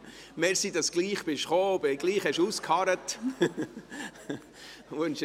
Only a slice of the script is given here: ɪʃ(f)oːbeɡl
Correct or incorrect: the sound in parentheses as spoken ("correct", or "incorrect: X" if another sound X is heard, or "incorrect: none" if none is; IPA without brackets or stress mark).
incorrect: χ